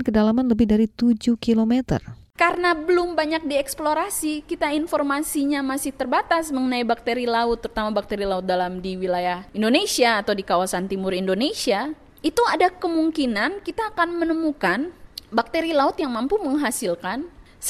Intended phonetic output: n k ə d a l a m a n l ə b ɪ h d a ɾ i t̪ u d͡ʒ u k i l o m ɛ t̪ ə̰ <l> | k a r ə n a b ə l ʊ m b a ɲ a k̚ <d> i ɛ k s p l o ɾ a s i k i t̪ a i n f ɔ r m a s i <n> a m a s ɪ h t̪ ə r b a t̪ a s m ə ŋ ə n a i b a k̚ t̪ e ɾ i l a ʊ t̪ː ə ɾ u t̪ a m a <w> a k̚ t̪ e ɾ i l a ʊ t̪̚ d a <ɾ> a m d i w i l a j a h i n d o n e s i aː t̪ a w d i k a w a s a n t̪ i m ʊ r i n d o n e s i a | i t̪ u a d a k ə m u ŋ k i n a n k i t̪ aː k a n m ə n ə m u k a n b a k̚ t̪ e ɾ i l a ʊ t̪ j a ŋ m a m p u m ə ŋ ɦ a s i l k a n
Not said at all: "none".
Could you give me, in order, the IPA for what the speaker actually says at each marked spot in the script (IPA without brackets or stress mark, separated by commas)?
r, d, ɲ, b, l